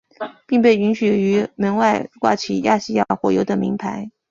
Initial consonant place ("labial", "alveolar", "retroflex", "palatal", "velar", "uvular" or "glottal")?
labial